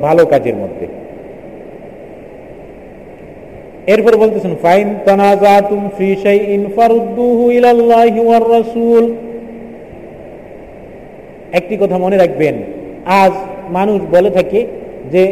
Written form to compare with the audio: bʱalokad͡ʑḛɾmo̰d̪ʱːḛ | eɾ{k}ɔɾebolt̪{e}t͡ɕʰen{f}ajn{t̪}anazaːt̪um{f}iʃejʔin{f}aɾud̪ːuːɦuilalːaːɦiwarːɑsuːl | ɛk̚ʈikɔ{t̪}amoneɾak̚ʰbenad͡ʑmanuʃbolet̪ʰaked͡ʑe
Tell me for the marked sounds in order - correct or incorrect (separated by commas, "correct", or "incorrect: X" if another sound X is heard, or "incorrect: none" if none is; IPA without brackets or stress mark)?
incorrect: p, correct, correct, correct, correct, correct, incorrect: t̪ʰ